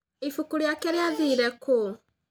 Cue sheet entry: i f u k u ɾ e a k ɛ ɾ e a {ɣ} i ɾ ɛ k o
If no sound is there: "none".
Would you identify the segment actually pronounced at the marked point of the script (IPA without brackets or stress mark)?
ð